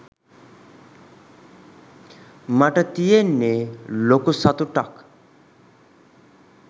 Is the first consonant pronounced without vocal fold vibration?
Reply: no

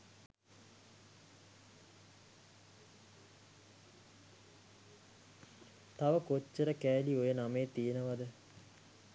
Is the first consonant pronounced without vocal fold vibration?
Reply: yes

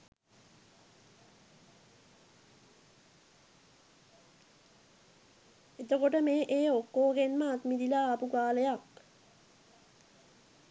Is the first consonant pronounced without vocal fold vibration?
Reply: yes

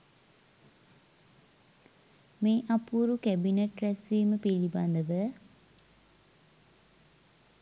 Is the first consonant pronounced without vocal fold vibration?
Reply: no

